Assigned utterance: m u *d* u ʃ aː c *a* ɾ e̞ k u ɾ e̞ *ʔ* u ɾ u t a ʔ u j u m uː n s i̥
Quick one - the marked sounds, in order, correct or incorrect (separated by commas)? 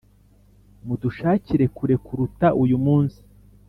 correct, incorrect, incorrect